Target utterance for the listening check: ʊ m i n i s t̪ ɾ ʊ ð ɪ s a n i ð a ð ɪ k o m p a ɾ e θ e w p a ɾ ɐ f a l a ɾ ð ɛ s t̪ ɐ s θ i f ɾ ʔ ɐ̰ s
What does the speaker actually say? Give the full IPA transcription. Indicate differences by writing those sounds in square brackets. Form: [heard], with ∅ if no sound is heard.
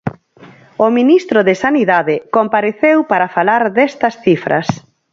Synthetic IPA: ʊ m i n i s t̪ ɾ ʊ ð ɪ s a n i ð a ð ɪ k o m p a ɾ e θ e w p a ɾ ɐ f a l a ɾ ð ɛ s t̪ ɐ s θ i f ɾ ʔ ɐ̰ s